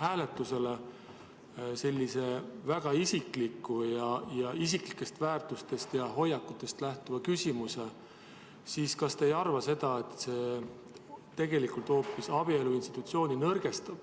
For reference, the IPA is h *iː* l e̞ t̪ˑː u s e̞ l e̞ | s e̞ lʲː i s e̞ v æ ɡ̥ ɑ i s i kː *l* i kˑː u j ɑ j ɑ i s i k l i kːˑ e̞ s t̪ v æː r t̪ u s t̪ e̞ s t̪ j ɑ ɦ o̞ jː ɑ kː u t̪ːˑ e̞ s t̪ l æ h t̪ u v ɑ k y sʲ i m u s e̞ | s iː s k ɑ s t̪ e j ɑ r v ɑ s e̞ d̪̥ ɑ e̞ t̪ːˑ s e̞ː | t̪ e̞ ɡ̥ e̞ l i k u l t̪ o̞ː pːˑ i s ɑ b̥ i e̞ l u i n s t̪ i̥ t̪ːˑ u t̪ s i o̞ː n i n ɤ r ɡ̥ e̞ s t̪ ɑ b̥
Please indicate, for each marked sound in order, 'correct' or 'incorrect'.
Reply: incorrect: æː, correct

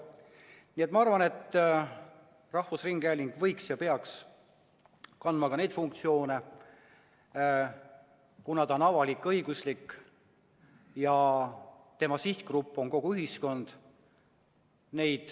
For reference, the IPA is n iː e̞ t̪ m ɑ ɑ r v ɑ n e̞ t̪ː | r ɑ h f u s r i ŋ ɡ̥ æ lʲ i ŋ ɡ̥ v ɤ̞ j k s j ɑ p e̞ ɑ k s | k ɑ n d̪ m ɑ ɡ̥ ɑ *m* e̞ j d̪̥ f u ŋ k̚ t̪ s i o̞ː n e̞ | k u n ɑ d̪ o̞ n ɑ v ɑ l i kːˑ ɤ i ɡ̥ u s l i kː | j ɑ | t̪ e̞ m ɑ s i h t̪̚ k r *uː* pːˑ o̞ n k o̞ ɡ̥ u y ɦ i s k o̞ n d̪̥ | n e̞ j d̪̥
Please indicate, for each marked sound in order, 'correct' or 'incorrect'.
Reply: incorrect: n, incorrect: u

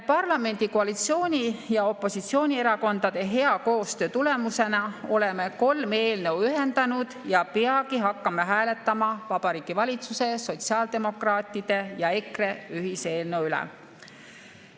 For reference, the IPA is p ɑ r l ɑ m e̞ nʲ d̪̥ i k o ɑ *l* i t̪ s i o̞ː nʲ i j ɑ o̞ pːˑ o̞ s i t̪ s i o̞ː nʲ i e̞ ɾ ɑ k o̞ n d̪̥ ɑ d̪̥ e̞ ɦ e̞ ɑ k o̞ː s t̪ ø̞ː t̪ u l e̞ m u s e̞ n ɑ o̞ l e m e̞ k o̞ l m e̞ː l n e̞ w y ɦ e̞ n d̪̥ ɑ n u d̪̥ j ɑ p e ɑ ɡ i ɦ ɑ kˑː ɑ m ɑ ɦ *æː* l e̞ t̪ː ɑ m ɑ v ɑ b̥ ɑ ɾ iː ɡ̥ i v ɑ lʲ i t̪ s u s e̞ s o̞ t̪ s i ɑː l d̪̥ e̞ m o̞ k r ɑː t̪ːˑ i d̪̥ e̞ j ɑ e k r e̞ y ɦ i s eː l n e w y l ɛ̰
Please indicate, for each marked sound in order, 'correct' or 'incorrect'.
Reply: correct, correct

